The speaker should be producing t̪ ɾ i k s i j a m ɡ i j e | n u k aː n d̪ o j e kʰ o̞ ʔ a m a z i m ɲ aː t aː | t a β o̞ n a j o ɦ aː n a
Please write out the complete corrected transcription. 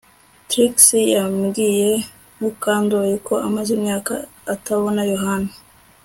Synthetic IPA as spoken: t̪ ɾ i k s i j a m ɡ i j e | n u k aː n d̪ o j e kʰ o̞ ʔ a m a z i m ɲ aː k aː | t a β o̞ n a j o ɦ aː n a